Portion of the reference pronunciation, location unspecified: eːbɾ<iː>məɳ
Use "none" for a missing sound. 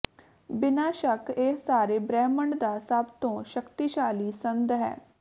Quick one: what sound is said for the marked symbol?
ɛː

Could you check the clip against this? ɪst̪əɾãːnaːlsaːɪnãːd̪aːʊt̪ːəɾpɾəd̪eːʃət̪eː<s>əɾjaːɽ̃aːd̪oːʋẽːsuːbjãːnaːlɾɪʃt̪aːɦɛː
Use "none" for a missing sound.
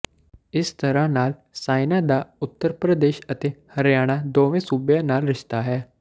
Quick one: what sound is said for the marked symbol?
h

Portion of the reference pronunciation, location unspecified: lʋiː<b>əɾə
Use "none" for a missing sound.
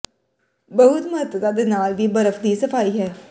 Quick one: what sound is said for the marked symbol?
b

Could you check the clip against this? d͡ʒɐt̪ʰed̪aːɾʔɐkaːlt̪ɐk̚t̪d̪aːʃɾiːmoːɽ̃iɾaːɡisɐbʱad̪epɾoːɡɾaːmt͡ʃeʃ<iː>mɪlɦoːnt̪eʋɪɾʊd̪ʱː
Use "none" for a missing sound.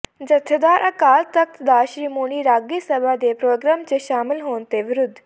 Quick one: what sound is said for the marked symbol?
aː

